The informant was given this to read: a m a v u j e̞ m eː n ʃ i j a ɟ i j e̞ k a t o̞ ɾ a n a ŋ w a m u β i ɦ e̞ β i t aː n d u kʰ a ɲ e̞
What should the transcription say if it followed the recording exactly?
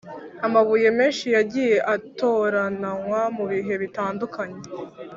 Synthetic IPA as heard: a m a β u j e̞ m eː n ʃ i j a ɟ i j e̞ ʔ a t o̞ ɾ a n a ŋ w a m u β i ɦ e̞ β i t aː n d u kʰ a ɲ e̞